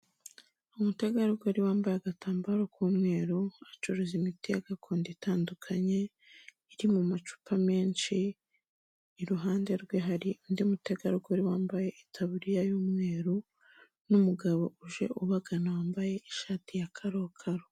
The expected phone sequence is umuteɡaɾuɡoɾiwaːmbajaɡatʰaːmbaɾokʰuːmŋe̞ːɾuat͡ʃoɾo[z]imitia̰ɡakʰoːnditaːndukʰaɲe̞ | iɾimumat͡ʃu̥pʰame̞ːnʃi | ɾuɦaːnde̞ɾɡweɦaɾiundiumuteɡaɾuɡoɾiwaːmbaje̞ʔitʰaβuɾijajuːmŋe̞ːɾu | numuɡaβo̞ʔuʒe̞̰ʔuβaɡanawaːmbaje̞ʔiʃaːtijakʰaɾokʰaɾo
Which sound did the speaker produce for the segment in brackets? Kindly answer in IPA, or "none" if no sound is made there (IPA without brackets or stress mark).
z